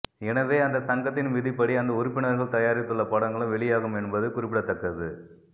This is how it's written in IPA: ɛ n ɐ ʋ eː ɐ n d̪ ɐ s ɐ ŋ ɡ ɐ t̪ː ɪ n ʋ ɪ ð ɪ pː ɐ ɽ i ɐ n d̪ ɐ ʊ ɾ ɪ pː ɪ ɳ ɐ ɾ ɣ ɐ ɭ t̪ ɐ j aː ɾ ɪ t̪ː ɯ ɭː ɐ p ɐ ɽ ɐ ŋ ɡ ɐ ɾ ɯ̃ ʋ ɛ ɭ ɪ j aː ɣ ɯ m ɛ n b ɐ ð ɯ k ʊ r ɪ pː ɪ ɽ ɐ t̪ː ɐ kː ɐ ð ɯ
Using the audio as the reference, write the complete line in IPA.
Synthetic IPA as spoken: ɛ n ɐ ʋ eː ɐ n d̪ ɐ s ɐ ŋ ɡ ɐ t̪ː ɪ n ʋ ɪ ð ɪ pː ɐ ɽ i ɐ n d̪ ɐ ʊ ɾ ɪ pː ɪ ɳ ɐ ɾ ɣ ɐ ɭ t̪ ɐ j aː ɾ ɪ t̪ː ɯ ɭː ɐ p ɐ ɽ ɐ ŋ ɡ ɐ ɭ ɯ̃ ʋ ɛ ɭ ɪ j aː ɣ ɯ m ɛ n b ɐ ð ɯ k ʊ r ɪ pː ɪ ɽ ɐ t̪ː ɐ kː ɐ ð ɯ